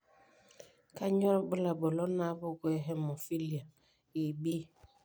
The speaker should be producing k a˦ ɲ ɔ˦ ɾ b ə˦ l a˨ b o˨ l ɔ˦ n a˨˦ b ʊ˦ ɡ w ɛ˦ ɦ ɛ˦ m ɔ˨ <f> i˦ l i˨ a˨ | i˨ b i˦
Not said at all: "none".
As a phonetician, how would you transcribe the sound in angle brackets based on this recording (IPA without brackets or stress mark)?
f